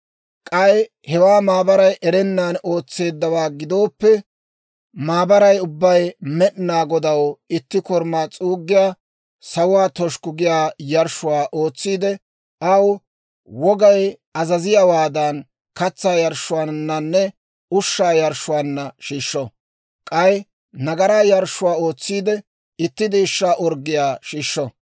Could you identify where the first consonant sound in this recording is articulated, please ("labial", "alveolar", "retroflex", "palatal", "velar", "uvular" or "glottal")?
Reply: velar